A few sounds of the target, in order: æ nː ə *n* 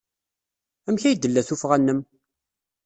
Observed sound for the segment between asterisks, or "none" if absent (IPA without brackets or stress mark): m